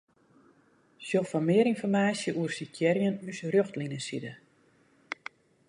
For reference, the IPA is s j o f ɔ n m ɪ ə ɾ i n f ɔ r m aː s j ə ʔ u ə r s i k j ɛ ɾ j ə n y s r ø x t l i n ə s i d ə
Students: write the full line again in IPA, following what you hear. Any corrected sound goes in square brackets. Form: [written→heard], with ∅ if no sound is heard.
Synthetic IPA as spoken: s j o f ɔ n m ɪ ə ɾ i n f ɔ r m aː s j ə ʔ u ə r s i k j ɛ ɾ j ə n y s r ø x t l i n ə s i d ə